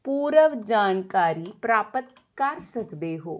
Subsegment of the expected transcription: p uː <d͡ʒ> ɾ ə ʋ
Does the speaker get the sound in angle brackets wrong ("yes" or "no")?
yes